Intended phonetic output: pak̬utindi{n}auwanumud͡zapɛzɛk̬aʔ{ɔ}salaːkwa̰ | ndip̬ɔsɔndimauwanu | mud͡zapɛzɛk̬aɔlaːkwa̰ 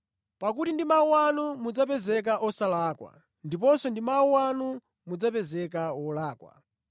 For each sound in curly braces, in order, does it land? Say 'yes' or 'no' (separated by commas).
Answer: no, yes